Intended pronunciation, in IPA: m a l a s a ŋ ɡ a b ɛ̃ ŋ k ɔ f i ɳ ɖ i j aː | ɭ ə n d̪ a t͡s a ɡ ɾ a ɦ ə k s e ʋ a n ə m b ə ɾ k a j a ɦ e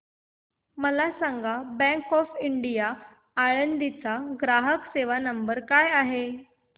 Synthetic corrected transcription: m ə l a s a ŋ ɡ a b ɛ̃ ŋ k ɔ f i ɳ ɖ i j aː | ɭ ə n d̪ i t͡s a ɡ ɾ a ɦ ə k s e ʋ a n ə m b ə ɾ k a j a ɦ e